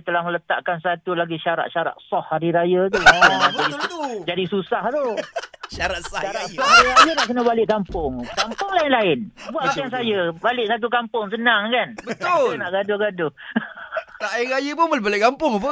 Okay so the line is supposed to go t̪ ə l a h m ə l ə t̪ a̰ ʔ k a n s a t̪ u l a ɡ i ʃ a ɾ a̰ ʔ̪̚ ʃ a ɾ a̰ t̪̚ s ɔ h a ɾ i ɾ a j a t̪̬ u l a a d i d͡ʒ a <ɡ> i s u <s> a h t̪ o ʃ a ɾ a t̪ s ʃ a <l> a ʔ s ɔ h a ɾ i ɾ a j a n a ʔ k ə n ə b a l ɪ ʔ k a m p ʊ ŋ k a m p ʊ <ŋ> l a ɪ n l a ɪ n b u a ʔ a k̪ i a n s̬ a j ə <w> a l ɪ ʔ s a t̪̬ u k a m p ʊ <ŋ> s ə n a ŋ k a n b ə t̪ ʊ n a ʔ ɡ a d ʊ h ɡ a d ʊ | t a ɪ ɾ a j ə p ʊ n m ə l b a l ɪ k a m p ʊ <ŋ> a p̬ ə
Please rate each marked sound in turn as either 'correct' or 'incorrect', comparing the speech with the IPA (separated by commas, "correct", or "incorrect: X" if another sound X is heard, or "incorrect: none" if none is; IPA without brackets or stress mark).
incorrect: d, correct, incorrect: ɾ, correct, incorrect: b, correct, correct